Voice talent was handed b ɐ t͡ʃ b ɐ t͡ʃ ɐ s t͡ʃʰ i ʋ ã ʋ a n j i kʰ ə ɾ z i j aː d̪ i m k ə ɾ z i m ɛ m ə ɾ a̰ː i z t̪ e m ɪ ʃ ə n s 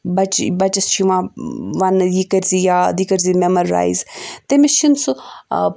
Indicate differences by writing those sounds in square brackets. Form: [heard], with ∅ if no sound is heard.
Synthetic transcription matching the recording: b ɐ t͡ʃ b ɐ t͡ʃ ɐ s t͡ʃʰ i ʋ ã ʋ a n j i [k] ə ɾ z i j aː d̪ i [∅] k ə ɾ z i m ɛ m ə ɾ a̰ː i z t̪ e m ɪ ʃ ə n s